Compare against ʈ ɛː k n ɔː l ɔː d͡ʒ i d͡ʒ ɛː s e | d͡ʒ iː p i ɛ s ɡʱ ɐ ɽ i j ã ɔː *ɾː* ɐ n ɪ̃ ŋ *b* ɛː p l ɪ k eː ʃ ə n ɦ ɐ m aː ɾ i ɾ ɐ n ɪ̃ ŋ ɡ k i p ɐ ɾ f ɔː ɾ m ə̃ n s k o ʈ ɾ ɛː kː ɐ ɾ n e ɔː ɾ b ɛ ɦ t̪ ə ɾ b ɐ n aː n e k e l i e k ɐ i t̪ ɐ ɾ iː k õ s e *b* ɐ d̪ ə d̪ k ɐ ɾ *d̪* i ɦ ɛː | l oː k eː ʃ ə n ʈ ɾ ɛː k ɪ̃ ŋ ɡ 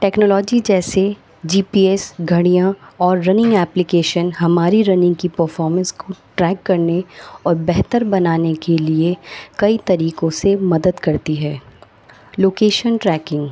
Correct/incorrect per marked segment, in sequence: correct, incorrect: ɡ, incorrect: m, incorrect: t̪

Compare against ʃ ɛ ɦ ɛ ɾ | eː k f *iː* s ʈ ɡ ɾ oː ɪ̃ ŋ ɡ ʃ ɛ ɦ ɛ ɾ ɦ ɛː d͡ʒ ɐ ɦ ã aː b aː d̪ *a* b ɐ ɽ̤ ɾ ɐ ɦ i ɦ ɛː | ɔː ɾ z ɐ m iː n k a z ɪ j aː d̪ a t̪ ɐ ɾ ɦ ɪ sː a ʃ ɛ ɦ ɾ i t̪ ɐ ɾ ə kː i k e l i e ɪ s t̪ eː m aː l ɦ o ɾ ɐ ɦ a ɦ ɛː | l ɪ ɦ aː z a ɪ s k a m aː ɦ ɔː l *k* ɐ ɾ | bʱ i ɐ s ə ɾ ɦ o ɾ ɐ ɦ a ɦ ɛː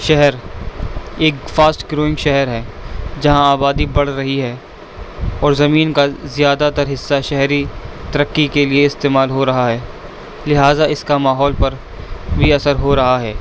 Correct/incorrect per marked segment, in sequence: incorrect: aː, incorrect: i, incorrect: p

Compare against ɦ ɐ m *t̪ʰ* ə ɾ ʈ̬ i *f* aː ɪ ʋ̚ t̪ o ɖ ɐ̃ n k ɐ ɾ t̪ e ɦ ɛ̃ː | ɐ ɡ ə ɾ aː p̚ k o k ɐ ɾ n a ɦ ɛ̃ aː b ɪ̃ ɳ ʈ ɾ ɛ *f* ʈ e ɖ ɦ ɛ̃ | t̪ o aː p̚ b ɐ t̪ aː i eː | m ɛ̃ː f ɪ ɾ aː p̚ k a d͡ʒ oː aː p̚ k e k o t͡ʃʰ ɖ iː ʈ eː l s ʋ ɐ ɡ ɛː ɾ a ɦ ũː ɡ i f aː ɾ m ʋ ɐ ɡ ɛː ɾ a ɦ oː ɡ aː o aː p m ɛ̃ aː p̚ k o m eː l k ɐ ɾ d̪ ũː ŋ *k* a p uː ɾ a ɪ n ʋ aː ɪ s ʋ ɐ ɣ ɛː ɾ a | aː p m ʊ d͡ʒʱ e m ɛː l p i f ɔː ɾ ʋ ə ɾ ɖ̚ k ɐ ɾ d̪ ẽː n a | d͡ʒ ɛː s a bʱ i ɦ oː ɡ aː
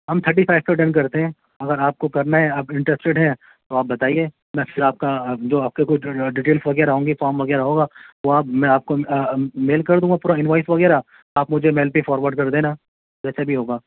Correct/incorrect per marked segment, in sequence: correct, correct, incorrect: s, incorrect: ɡ

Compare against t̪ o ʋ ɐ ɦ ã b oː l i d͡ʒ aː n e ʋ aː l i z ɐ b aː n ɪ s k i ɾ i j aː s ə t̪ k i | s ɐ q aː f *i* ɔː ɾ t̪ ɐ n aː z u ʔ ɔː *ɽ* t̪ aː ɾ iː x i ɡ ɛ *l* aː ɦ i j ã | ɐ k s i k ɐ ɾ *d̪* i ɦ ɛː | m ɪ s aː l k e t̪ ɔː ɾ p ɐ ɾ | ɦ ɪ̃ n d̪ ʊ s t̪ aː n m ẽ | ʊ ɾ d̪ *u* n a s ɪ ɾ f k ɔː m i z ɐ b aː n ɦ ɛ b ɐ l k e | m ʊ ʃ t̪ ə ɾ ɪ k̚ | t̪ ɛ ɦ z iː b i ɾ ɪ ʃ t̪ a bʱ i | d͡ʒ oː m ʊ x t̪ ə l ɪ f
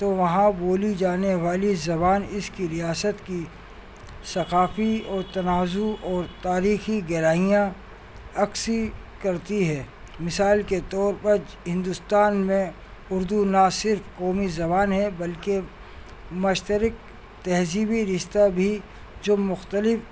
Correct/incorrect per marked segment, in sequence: correct, incorrect: ɾ, incorrect: ɾ, incorrect: t̪, correct

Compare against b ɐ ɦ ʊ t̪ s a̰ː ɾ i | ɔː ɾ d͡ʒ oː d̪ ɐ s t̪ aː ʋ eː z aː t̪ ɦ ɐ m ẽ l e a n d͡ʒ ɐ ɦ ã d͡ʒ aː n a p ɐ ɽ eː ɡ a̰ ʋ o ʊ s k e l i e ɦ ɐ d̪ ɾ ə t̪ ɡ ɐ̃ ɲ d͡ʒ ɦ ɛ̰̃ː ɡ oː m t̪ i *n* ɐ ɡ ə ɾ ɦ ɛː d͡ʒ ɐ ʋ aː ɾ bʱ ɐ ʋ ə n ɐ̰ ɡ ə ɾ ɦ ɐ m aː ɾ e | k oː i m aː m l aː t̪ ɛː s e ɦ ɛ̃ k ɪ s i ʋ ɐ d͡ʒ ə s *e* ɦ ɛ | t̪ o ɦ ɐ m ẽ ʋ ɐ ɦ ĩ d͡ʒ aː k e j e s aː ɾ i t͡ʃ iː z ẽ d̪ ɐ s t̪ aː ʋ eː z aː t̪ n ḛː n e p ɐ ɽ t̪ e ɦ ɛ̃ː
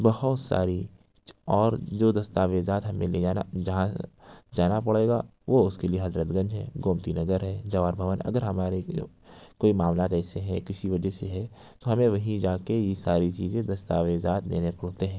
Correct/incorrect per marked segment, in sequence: correct, correct

